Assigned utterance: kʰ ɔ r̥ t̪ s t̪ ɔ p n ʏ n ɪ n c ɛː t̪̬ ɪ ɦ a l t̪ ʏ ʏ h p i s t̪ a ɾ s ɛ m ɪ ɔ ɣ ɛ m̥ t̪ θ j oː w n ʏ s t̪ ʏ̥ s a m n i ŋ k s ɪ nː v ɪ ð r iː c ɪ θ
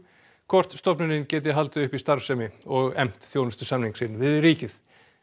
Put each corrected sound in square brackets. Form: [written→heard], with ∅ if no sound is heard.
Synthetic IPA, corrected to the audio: kʰ ɔ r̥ t̪ s t̪ ɔ p n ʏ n ɪ n c ɛː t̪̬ ɪ ɦ a l t̪ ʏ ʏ h p i s t̪ a ɾ s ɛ m ɪ ɔ ɣ ɛ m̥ t̪ θ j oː w n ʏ s t̪ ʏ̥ s a m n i ŋ k s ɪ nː v ɪ ð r iː c ɪ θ